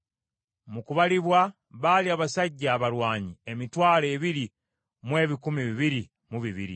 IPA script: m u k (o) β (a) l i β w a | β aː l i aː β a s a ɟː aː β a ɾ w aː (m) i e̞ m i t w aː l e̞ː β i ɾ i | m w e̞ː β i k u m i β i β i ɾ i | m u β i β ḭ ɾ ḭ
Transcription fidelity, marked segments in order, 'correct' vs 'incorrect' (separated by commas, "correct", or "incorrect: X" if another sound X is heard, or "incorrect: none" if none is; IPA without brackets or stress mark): incorrect: u, correct, incorrect: ɲ